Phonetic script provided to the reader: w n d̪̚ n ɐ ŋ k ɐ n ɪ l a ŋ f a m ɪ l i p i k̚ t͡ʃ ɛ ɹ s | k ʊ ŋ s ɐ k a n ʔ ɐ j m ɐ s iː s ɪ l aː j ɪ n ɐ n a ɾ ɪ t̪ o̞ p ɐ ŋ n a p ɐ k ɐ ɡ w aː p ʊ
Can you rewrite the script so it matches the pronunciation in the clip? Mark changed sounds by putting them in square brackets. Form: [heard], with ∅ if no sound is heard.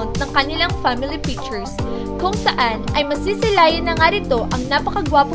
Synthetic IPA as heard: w n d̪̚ n ɐ ŋ k ɐ n ɪ l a ŋ f a m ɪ l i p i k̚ t͡ʃ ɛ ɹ s | k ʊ ŋ s ɐ [ʔ] a n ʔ ɐ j m ɐ s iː s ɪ l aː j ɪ n ɐ [ŋ] a ɾ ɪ t̪ o̞ [ʔ] ɐ ŋ n a p ɐ k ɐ ɡ w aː p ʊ